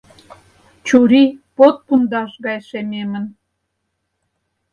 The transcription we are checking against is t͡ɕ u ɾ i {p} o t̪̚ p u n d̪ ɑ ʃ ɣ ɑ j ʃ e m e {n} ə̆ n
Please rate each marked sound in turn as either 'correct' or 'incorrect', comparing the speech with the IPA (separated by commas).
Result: correct, incorrect